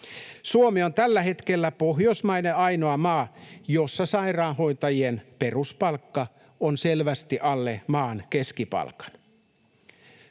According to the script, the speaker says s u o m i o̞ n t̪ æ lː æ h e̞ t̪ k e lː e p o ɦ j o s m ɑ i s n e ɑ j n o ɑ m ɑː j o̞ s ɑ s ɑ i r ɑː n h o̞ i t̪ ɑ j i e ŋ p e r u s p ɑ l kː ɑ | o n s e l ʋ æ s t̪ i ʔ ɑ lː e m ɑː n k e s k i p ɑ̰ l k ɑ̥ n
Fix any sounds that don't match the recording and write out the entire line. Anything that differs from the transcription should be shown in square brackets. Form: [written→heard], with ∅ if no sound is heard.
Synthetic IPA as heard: s u o m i o̞ n t̪ æ lː æ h e̞ t̪ k e lː [e→æ] p o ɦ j o s m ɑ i [s→∅] n e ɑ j n o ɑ m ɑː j o̞ [s→sː] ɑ s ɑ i r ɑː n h o̞ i t̪ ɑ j i e [ŋ→n] p e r u s p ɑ l kː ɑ | o n s e l ʋ æ s t̪ i ʔ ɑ lː e m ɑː n k e s k i p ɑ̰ l k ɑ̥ n

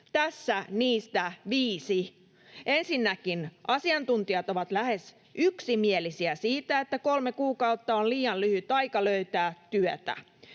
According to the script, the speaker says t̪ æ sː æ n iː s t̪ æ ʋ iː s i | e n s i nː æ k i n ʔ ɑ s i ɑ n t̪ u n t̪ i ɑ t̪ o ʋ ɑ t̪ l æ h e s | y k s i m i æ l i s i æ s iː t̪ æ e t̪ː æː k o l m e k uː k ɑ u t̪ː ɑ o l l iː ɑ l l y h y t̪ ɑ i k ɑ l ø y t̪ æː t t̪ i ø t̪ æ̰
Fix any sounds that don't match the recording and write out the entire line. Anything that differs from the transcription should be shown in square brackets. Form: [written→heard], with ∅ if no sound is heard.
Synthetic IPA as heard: t̪ æ sː æ n iː s t̪ æ ʋ iː s i | e n s i nː æ k i n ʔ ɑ s i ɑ n t̪ u n t̪ i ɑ t̪ o ʋ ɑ t̪ l æ h e s | y k s i m i [æ→e] l i s i æ s iː t̪ æ e t̪ː [æː→æ] k o l m e k uː k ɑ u t̪ː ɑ o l l iː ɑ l l y h y t̪ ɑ i k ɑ l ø y t̪ æː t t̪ [i→y] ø t̪ æ̰

